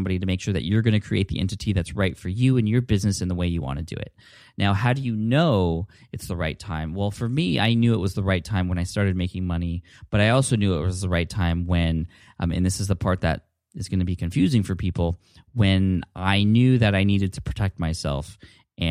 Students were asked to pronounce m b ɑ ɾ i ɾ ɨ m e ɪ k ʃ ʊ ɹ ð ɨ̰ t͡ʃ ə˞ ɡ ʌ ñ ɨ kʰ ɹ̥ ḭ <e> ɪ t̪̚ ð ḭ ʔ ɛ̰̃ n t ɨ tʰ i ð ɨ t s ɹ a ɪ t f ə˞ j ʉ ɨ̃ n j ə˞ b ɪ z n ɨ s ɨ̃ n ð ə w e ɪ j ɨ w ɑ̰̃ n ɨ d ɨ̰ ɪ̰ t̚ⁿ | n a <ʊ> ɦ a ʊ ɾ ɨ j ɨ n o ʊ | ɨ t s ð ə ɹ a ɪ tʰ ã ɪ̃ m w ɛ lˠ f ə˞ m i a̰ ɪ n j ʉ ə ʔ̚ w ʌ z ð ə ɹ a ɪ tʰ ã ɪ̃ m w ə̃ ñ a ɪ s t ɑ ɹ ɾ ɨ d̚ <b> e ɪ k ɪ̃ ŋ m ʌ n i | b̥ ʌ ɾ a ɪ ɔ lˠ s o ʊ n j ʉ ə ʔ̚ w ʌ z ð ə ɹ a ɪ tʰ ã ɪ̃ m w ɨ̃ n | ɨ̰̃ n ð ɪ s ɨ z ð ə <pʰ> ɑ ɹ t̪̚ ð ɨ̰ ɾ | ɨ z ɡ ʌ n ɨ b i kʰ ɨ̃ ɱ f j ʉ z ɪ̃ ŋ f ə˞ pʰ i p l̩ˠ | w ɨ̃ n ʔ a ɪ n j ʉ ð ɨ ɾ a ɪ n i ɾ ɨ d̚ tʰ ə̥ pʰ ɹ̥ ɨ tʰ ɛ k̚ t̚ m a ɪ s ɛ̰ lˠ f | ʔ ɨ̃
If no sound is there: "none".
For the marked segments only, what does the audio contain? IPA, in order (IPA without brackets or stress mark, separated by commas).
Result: e, ʊ, m, pʰ